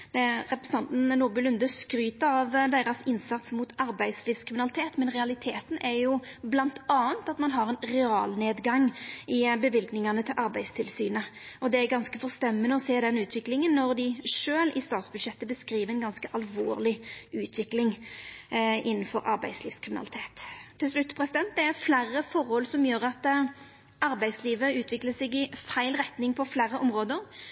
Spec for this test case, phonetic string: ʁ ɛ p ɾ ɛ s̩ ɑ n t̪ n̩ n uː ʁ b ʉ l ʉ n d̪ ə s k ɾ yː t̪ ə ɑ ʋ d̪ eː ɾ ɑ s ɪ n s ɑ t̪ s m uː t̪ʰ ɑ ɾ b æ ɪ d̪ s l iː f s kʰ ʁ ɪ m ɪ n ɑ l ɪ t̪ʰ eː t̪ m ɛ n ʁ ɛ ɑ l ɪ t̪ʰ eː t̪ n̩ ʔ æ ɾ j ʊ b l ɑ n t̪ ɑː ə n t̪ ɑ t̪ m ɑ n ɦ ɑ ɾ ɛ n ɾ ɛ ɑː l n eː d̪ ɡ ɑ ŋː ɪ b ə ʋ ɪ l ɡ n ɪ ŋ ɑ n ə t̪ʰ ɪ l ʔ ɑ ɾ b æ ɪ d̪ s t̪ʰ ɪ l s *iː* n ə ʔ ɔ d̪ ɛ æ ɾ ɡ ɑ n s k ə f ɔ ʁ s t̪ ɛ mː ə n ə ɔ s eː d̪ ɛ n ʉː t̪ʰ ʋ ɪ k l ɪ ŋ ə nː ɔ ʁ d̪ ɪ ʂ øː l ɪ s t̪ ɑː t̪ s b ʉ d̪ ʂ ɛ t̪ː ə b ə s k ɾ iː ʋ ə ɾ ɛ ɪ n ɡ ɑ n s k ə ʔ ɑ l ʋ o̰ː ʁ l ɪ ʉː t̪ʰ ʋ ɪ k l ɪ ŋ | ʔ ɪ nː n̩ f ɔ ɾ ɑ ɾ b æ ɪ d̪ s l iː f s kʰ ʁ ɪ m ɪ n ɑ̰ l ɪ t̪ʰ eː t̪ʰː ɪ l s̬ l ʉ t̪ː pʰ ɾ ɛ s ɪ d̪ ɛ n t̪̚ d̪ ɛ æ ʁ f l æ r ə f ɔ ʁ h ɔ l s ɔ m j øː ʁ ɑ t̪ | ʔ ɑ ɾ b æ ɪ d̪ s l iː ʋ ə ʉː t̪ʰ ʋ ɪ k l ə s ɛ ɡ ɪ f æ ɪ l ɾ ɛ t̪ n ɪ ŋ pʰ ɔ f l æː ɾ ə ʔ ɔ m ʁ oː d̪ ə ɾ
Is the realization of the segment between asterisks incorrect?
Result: yes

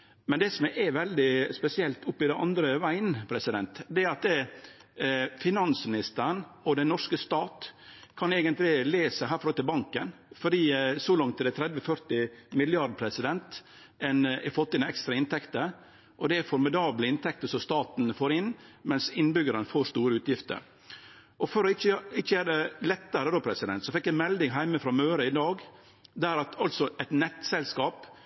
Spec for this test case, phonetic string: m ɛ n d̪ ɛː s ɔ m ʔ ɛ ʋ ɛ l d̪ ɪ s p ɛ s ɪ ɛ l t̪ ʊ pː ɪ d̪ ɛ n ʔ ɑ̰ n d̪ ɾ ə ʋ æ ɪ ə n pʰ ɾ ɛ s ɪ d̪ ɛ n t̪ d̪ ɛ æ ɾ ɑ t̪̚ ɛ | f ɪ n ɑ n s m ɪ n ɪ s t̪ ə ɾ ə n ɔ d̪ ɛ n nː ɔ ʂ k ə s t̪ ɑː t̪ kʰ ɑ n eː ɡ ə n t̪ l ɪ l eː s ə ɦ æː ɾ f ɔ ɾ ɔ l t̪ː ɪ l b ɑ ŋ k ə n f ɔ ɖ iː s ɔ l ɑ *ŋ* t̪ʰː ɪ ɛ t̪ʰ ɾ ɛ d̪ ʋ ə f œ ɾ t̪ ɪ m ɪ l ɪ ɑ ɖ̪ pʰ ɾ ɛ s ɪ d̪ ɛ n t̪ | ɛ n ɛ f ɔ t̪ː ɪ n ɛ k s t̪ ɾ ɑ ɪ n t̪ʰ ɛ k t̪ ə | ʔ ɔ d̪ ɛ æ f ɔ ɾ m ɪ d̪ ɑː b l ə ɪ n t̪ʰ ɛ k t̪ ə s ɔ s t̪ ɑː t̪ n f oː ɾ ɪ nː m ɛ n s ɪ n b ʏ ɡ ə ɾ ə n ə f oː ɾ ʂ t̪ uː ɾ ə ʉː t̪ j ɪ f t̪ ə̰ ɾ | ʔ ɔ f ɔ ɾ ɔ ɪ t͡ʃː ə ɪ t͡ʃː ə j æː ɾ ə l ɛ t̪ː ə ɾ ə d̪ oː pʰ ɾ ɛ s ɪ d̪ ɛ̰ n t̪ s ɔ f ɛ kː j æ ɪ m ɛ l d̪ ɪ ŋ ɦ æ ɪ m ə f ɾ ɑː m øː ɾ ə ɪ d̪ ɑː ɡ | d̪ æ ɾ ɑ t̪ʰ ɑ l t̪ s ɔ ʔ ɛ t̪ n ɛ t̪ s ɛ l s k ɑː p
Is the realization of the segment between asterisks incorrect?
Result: no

